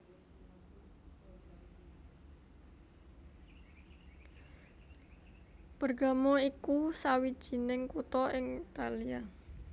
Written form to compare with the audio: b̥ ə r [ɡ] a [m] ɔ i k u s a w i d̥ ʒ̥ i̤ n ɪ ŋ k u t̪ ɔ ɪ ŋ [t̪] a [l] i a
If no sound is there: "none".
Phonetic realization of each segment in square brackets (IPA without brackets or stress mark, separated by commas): ɡ, m, t̪, l